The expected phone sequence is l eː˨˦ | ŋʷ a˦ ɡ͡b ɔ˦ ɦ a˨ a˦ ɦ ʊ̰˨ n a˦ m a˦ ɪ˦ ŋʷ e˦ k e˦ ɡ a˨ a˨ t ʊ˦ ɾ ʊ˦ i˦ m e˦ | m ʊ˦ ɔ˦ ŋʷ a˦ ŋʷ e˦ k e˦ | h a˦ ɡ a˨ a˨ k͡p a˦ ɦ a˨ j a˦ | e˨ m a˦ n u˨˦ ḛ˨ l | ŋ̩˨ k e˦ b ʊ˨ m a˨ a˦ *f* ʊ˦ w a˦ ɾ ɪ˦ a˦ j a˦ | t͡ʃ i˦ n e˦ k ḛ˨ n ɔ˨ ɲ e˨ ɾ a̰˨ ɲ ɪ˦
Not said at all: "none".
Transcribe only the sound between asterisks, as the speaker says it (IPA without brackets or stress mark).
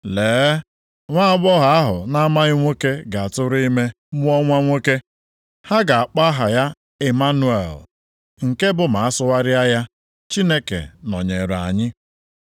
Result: s